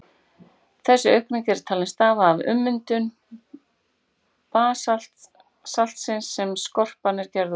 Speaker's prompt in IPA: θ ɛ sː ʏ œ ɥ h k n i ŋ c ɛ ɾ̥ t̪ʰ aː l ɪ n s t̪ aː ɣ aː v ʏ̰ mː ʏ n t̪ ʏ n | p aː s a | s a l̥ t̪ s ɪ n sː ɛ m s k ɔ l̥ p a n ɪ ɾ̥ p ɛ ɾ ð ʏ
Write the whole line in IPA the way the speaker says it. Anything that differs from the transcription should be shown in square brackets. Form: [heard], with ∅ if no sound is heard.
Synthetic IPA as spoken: θ ɛ sː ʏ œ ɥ h k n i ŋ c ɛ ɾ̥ t̪ʰ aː l ɪ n s t̪ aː [v] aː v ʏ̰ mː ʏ n t̪ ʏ n | p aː s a | s a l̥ t̪ s ɪ n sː ɛ m s k ɔ [r̥] p a n ɪ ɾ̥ [c] ɛ ɾ ð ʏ